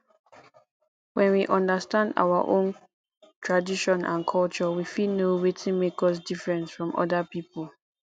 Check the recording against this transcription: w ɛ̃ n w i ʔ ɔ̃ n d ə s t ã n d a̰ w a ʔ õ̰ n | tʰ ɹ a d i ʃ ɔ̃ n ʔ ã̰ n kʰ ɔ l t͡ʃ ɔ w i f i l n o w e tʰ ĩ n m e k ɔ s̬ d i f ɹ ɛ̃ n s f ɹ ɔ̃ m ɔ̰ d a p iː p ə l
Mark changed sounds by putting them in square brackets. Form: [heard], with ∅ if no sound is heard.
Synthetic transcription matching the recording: w ɛ̃ n w i ʔ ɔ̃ n d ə s t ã n d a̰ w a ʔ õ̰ n | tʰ ɹ a d i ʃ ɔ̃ n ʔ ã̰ n kʰ ɔ l t͡ʃ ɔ w i f i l n o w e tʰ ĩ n m e k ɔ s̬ d i f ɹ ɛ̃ n s f ɹ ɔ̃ m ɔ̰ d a p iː p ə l